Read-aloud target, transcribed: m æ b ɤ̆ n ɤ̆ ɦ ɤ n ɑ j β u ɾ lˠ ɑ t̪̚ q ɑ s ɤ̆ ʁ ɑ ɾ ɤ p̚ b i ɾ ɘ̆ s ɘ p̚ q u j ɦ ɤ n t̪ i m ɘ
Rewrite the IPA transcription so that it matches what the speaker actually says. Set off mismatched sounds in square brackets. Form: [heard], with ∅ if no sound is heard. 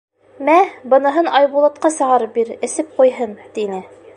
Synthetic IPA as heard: m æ b ɤ̆ n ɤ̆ ɦ ɤ n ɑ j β u [∅] lˠ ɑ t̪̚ q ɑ s ɤ̆ ʁ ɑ ɾ ɤ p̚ b i ɾ ɘ̆ s ɘ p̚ q u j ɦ ɤ n t̪ i [n] ɘ